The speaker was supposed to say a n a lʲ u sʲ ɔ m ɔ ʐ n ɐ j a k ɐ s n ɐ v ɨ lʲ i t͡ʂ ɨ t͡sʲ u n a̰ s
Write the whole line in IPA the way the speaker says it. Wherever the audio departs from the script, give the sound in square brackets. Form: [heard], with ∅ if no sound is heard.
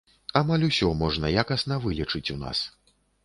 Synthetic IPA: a [m] a lʲ u sʲ ɔ m ɔ ʐ n ɐ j a k ɐ s n ɐ v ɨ lʲ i t͡ʂ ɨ t͡sʲ u n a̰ s